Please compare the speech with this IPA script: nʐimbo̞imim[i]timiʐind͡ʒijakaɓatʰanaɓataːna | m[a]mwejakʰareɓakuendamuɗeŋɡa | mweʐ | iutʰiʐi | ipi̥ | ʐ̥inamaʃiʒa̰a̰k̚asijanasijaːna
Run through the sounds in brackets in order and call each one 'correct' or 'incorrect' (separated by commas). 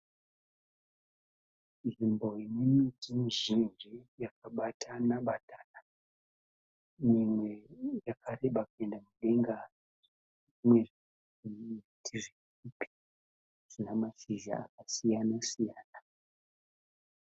correct, incorrect